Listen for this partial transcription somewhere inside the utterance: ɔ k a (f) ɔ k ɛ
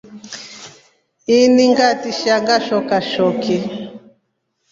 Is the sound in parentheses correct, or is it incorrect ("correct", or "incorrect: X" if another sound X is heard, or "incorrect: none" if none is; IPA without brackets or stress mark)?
incorrect: ʃ